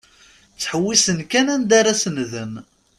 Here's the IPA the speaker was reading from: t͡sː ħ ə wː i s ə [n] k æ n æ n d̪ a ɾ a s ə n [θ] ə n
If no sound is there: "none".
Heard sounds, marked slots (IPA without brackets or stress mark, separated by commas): n, ð